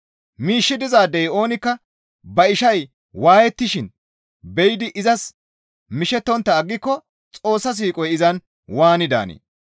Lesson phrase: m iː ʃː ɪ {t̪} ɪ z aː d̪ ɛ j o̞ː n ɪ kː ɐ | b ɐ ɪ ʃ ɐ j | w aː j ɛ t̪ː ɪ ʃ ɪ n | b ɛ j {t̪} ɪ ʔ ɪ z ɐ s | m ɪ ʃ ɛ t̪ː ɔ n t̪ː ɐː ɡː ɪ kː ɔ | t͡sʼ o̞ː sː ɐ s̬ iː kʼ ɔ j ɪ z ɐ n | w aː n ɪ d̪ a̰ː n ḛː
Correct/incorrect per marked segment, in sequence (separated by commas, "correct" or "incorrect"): incorrect, incorrect